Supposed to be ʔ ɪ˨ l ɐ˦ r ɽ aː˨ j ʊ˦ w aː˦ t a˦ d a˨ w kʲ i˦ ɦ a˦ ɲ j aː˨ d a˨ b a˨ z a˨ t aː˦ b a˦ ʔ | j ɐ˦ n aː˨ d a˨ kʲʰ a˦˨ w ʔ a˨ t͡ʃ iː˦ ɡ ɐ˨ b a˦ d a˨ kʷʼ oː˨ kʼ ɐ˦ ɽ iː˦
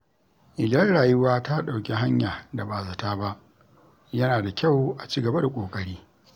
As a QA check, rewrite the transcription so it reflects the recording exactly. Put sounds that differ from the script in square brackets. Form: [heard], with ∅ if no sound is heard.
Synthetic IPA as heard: ʔ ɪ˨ l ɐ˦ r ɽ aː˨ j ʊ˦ w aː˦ t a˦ [ɗ] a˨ w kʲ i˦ ɦ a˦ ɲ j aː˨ d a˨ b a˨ z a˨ t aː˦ b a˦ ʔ | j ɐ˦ n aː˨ d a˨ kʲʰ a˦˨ w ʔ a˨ t͡ʃ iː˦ ɡ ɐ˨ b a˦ d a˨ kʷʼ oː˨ kʼ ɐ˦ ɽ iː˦